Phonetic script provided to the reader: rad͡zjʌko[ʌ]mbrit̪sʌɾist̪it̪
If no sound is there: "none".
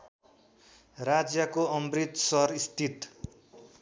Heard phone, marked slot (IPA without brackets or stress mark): ʌ